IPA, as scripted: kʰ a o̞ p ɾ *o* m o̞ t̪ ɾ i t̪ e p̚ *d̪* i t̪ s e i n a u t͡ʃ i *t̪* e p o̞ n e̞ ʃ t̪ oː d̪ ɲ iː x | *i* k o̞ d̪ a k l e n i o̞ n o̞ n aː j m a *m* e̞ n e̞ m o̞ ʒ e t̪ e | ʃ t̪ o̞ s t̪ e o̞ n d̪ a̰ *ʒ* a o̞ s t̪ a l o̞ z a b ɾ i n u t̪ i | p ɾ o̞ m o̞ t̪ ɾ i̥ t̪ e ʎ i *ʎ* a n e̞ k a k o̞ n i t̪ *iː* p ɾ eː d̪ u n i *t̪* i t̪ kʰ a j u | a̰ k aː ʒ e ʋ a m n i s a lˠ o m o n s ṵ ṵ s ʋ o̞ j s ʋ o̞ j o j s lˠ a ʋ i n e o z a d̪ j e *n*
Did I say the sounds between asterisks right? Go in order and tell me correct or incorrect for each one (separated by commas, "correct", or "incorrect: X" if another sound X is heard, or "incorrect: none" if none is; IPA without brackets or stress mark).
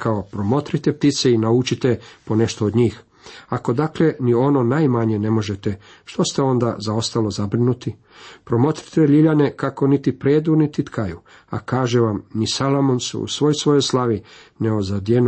correct, incorrect: t̪, correct, incorrect: a, incorrect: ɲ, incorrect: z, correct, incorrect: i, correct, correct